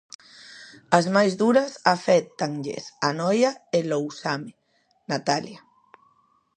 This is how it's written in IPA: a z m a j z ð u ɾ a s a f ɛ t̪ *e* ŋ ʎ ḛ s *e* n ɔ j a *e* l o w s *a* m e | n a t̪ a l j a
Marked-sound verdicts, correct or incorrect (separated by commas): incorrect, incorrect, correct, correct